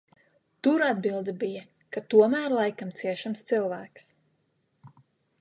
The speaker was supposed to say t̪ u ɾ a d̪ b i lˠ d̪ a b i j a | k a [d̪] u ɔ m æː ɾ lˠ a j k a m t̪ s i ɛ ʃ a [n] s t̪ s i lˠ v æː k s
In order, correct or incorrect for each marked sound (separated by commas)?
incorrect, incorrect